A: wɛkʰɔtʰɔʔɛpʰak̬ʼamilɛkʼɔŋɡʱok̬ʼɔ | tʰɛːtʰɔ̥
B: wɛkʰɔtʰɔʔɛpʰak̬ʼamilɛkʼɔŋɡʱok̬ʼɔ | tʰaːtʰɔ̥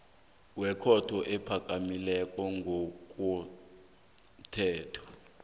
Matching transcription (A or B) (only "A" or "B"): A